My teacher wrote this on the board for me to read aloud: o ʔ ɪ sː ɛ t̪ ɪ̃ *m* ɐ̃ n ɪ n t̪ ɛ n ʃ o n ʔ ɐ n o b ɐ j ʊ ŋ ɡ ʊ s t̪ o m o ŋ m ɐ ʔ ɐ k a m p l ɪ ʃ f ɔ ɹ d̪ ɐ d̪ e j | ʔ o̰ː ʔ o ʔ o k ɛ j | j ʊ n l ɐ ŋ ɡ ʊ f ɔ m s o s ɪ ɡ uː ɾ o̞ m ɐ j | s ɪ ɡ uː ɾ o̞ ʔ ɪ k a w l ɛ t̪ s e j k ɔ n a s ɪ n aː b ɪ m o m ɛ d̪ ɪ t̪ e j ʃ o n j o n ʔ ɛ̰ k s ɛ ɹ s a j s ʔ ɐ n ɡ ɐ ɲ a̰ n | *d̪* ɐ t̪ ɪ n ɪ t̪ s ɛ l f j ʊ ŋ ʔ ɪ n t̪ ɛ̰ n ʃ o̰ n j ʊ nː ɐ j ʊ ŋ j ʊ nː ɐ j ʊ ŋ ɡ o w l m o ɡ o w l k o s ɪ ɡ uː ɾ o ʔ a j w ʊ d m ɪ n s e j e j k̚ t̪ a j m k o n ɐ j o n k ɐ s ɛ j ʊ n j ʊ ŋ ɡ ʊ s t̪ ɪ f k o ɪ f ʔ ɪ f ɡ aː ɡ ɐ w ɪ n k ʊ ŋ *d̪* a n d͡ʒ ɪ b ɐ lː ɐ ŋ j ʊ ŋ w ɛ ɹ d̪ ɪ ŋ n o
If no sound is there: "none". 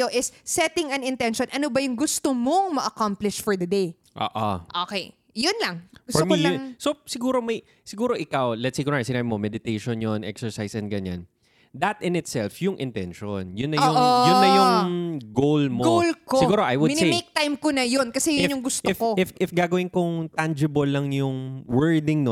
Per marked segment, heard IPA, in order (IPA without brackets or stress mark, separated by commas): ŋ, d̪, t̪